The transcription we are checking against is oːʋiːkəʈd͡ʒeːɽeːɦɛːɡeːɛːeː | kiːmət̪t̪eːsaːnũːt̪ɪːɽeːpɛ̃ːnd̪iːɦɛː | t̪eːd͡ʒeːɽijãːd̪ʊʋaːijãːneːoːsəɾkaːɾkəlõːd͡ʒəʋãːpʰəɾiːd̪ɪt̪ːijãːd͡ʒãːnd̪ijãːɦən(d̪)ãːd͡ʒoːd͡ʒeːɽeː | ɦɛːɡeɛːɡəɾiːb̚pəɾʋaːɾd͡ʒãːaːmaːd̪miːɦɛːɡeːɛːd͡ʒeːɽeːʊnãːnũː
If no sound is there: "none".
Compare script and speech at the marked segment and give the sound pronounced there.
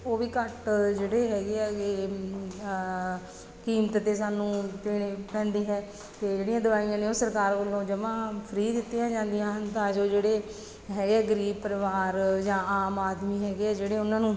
t̪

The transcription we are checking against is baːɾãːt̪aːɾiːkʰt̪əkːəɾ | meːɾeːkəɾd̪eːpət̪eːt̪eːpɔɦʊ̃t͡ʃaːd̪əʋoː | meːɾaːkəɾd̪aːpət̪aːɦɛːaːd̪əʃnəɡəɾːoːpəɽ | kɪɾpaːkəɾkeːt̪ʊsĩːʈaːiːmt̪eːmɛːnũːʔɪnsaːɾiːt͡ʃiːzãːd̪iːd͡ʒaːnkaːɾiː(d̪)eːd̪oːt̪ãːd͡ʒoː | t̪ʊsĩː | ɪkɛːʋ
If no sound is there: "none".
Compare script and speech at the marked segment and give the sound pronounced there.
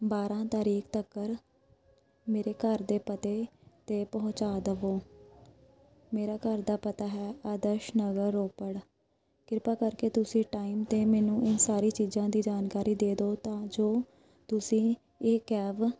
d̪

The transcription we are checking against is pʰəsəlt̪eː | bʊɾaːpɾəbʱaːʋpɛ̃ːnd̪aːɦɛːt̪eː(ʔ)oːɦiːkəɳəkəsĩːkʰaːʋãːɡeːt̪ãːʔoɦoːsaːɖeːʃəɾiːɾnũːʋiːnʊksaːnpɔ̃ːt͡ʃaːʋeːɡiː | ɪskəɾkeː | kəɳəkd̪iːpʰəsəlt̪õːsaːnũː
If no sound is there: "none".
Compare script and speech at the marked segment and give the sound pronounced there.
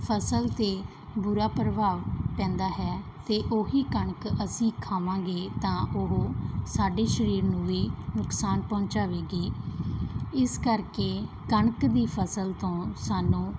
ʔ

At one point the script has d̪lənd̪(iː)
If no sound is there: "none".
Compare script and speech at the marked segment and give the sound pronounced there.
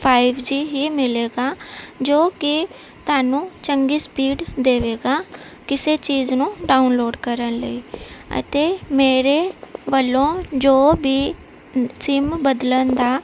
aː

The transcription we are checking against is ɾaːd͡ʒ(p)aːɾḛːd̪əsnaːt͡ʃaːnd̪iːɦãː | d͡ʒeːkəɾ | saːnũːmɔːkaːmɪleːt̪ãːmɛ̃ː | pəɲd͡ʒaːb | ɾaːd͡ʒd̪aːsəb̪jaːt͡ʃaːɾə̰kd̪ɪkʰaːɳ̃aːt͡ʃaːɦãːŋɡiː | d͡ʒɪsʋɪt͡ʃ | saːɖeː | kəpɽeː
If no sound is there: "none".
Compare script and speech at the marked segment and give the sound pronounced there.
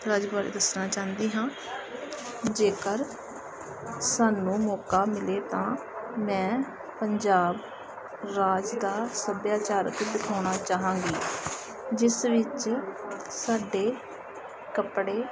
b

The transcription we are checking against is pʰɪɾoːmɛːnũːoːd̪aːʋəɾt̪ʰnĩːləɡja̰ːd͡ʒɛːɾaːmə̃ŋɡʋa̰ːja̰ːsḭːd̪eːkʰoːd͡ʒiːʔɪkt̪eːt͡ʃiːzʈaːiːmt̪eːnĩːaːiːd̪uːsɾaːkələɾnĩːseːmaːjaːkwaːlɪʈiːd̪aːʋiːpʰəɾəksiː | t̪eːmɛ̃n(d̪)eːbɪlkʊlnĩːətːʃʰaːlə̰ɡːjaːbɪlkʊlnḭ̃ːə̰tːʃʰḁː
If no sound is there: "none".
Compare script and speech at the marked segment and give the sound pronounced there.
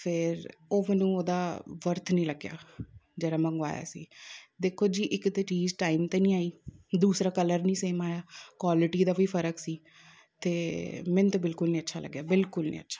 t̪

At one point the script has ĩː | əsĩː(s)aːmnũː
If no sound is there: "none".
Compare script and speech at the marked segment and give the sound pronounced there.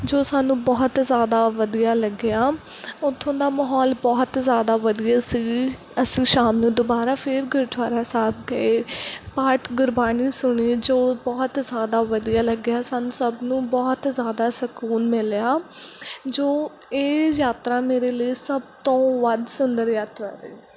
ʃ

